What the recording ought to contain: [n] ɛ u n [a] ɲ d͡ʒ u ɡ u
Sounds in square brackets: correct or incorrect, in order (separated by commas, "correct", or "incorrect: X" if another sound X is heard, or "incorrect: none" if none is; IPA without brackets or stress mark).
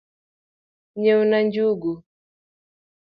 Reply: incorrect: ɲ, correct